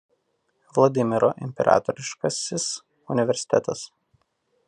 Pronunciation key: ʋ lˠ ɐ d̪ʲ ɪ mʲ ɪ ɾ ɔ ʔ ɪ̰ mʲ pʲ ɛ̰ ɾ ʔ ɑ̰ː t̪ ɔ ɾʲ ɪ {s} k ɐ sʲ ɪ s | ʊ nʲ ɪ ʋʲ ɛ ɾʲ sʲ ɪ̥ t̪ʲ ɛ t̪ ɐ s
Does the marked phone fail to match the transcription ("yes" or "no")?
yes